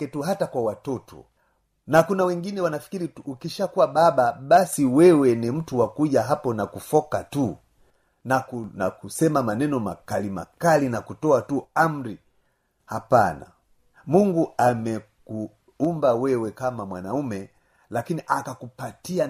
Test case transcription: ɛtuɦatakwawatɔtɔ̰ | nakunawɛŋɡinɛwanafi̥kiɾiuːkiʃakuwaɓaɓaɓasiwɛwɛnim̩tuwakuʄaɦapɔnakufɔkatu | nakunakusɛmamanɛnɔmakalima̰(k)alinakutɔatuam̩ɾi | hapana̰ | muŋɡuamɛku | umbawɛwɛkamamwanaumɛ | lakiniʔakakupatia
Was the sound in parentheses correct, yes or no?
yes